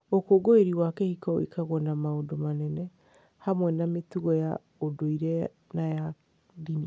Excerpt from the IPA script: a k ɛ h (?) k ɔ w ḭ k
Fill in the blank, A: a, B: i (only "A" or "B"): B